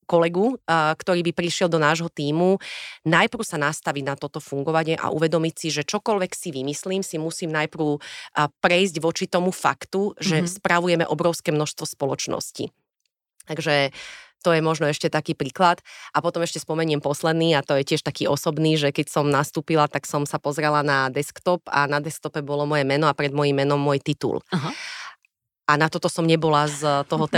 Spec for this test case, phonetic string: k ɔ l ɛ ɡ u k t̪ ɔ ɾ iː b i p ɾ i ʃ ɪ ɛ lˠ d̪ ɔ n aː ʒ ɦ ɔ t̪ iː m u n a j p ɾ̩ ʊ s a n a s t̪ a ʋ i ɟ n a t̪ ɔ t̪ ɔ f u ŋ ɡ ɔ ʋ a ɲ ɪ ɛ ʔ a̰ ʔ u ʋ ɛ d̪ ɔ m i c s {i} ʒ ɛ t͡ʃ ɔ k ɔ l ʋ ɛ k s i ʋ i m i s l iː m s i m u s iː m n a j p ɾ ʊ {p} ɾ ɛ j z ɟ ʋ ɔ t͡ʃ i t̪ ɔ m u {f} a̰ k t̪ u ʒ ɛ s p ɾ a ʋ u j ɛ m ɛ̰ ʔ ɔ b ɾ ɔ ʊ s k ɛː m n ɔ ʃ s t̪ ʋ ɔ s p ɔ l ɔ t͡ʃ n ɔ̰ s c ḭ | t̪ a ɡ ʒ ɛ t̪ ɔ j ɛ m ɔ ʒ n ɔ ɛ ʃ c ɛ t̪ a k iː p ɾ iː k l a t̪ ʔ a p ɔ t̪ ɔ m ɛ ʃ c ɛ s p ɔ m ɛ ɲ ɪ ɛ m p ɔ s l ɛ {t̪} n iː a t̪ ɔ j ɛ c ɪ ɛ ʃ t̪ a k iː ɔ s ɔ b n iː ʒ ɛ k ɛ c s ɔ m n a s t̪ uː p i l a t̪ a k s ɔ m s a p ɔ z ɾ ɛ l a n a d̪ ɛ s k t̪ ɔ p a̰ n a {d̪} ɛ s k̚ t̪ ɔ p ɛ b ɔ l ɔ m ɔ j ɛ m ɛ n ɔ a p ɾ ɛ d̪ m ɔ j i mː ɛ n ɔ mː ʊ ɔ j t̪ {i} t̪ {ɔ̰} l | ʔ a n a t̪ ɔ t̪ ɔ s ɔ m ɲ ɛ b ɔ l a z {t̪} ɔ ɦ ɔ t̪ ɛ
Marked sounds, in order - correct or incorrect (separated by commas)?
correct, correct, correct, incorrect, correct, correct, incorrect, correct